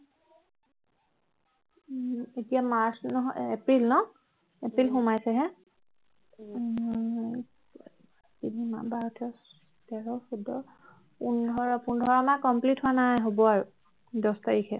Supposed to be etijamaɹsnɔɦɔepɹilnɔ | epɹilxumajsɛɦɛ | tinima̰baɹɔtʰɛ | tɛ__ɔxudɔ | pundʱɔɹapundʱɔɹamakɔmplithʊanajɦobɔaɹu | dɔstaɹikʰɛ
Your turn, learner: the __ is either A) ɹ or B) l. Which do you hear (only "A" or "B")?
A